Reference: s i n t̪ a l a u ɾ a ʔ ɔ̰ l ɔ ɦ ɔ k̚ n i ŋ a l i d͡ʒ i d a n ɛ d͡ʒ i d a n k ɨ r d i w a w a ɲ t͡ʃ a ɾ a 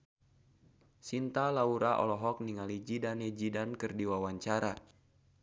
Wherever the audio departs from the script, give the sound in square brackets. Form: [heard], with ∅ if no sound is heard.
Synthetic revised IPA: s i n t̪ a l a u ɾ a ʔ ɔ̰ l ɔ ɦ ɔ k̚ n i ŋ a l i d͡ʒ i d a n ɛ d͡ʒ i d a n k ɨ r d i w a w a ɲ t͡ʃ a ɾ a